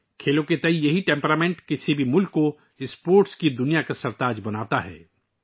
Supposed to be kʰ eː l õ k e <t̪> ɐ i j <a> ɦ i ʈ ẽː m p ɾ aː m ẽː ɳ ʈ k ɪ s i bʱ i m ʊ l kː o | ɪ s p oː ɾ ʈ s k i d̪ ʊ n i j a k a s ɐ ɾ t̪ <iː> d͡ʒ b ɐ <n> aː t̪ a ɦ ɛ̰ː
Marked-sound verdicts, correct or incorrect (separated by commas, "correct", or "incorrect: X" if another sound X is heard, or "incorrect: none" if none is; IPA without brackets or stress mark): correct, incorrect: ɐ, incorrect: aː, correct